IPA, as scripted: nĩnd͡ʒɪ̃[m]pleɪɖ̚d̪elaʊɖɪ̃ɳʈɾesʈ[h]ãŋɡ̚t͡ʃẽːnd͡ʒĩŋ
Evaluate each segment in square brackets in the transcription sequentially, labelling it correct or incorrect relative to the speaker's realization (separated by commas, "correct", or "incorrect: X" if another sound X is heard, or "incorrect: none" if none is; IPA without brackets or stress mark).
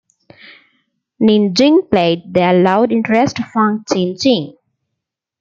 incorrect: ŋ, incorrect: f